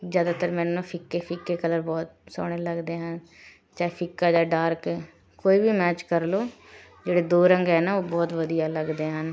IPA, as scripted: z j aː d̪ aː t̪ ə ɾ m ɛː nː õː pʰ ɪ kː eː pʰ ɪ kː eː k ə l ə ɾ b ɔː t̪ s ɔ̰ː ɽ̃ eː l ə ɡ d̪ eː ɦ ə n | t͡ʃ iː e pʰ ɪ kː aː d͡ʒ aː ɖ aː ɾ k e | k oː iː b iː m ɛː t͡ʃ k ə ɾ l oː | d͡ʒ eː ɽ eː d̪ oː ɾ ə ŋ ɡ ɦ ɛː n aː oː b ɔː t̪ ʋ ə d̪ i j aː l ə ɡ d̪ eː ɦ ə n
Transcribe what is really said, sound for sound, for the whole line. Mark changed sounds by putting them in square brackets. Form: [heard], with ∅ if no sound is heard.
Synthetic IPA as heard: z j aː d̪ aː t̪ ə ɾ m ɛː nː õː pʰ ɪ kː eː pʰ ɪ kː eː k ə l ə ɾ b ɔː t̪ s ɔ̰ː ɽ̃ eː l ə ɡ d̪ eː ɦ ə n | t͡ʃ [aː] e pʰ ɪ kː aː d͡ʒ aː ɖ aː ɾ k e | k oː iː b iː m ɛː t͡ʃ k ə ɾ l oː | d͡ʒ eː ɽ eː d̪ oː ɾ ə ŋ ɡ ɦ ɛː n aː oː b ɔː t̪ ʋ ə d̪ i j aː l ə ɡ d̪ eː ɦ ə n